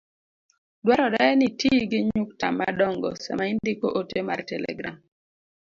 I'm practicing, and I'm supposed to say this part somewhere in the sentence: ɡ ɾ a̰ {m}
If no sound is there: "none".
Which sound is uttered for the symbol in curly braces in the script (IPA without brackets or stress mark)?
m